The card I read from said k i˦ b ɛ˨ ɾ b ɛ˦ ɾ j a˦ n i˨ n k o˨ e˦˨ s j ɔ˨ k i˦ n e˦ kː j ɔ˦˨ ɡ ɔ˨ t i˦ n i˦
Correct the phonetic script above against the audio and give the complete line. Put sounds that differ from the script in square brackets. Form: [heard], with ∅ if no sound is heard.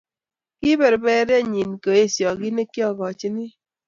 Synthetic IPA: k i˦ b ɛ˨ ɾ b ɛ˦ ɾ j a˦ [ɲ] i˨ n k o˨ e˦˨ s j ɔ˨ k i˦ n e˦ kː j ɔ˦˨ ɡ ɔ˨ [t͡ʃ] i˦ n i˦